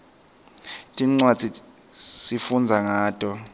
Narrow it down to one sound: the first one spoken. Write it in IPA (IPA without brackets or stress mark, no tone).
tʼ